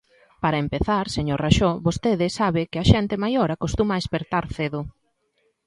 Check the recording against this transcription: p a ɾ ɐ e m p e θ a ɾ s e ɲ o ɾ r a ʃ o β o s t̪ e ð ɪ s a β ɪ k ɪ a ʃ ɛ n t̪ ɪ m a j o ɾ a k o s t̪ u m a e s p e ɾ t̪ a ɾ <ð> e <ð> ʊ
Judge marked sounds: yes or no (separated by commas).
no, yes